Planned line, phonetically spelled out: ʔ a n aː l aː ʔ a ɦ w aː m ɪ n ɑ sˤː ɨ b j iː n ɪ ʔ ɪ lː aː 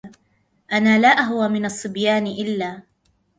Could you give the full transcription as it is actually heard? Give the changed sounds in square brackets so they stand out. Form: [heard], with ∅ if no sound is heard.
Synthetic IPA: ʔ a n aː l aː ʔ a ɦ w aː m ɪ n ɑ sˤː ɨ b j [aː] n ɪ ʔ ɪ lː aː